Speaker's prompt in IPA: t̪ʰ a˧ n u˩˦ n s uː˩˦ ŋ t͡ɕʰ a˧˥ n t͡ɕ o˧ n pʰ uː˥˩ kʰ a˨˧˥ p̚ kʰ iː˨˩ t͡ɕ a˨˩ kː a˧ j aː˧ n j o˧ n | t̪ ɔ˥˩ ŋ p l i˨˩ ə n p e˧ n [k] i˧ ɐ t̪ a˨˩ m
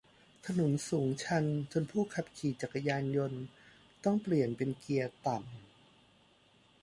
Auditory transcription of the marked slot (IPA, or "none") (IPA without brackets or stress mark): k